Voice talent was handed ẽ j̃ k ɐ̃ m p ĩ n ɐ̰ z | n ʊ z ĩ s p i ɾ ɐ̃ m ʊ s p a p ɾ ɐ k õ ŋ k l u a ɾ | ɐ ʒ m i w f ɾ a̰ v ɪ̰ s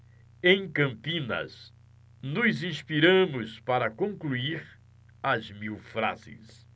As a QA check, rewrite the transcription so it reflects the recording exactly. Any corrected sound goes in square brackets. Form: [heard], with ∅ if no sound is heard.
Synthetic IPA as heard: ẽ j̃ k ɐ̃ m p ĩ n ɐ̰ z | n ʊ z ĩ s p i ɾ ɐ̃ m ʊ s p a [∅] ɾ ɐ k õ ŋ k l u [i] ɾ | ɐ [z] m i w f ɾ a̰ [z] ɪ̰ s

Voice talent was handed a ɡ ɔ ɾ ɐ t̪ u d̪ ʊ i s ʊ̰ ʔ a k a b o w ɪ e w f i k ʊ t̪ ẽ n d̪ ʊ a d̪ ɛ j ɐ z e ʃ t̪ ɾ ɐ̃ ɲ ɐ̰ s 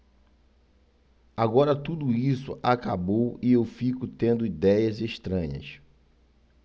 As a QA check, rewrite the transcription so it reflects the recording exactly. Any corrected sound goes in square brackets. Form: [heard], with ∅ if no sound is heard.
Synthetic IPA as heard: a ɡ ɔ ɾ ɐ t̪ u d̪ ʊ i s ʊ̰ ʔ a k a b o w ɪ e w f i k ʊ t̪ ẽ n d̪ ʊ [i] d̪ ɛ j ɐ z e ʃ t̪ ɾ ɐ̃ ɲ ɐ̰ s

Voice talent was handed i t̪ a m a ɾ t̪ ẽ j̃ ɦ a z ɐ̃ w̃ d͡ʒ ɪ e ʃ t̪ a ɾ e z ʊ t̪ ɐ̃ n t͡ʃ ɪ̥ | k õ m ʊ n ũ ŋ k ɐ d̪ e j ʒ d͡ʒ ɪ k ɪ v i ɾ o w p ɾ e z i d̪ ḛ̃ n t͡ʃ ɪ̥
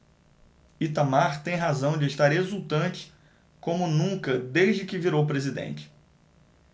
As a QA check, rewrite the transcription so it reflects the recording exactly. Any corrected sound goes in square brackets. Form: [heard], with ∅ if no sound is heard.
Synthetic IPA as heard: i t̪ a m a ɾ t̪ ẽ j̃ ɦ a z ɐ̃ w̃ d͡ʒ ɪ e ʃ t̪ a ɾ e z [u] t̪ ɐ̃ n t͡ʃ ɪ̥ | k õ m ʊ n ũ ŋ k ɐ d̪ e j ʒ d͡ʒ ɪ k ɪ v i ɾ o w p ɾ e z i d̪ ḛ̃ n t͡ʃ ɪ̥

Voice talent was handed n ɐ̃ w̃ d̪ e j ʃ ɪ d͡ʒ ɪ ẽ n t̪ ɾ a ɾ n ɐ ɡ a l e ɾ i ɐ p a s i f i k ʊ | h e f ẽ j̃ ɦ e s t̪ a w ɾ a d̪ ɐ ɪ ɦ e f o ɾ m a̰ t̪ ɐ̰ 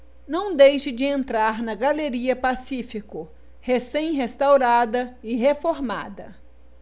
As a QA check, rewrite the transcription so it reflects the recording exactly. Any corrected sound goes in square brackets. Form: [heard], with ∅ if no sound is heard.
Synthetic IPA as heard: n ɐ̃ w̃ d̪ e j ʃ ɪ d͡ʒ ɪ ẽ n t̪ ɾ a ɾ n ɐ ɡ a l e ɾ i ɐ p a s i f i k ʊ | h e [s] ẽ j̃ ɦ e s t̪ a w ɾ a d̪ ɐ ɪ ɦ e f o ɾ m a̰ [d̪] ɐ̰

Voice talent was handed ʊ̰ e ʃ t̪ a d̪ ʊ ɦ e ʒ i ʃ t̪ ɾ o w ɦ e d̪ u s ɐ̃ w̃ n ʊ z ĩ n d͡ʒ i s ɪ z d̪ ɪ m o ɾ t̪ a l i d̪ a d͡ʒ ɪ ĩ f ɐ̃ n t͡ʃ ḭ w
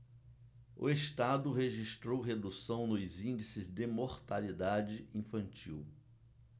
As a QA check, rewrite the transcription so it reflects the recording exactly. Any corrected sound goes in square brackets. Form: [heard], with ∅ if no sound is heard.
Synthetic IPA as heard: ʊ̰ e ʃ t̪ a d̪ ʊ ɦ e ʒ i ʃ t̪ ɾ o w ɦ e d̪ u s ɐ̃ w̃ n ʊ z ĩ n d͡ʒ i s ɪ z d̪ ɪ m o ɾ t̪ a l i d̪ a d͡ʒ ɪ ĩ f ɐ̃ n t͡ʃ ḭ w

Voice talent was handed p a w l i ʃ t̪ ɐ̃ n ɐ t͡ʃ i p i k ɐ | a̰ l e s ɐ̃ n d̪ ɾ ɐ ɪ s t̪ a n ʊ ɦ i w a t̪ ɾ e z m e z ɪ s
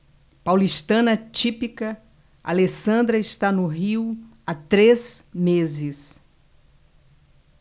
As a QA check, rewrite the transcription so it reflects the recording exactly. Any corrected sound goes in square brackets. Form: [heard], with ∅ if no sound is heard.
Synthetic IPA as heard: p a w l i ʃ t̪ ɐ̃ n ɐ t͡ʃ i p i k ɐ | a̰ l e s ɐ̃ n d̪ ɾ ɐ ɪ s t̪ a n ʊ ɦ i w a t̪ ɾ e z m e z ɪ s

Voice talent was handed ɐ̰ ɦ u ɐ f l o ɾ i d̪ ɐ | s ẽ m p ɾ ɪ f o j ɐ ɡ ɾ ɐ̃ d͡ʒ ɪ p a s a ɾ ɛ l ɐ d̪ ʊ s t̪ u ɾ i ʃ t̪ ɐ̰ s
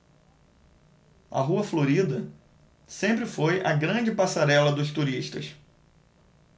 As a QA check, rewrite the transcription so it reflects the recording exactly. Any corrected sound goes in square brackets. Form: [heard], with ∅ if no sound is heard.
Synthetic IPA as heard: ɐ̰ ɦ u ɐ f l o ɾ i d̪ ɐ | s ẽ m p ɾ ɪ f o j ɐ ɡ ɾ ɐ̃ d͡ʒ ɪ p a s a ɾ ɛ l ɐ d̪ ʊ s t̪ u ɾ i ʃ t̪ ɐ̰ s

